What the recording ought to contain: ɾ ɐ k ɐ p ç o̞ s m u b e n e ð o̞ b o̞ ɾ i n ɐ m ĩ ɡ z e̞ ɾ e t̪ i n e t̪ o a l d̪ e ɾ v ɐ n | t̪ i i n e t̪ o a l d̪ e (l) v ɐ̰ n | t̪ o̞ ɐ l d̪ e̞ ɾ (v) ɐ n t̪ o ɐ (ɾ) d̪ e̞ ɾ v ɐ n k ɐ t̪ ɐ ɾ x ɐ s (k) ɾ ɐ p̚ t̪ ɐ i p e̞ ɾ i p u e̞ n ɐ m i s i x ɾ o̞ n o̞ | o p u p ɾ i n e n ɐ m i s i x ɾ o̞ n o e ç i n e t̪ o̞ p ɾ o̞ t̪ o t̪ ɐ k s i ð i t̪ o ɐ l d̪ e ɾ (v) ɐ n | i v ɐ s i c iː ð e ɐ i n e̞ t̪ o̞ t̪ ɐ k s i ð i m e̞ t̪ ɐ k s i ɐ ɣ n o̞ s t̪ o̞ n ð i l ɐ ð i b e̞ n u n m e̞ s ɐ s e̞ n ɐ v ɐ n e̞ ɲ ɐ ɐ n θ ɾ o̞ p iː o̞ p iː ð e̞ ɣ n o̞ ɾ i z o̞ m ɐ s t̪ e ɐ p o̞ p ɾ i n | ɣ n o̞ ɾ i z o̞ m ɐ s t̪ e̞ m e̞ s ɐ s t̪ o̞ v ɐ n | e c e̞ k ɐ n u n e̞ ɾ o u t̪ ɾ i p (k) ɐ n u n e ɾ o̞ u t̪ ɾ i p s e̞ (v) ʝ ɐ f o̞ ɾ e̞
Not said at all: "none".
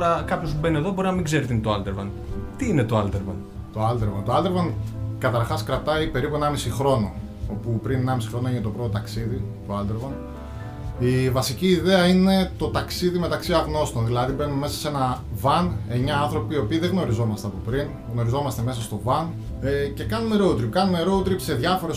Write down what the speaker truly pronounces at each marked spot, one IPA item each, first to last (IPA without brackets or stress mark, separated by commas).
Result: ɾ, v, l, k, v, k, ð